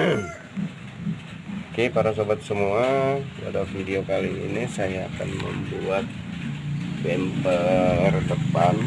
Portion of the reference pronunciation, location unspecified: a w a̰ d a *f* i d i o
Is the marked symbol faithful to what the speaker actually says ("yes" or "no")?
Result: yes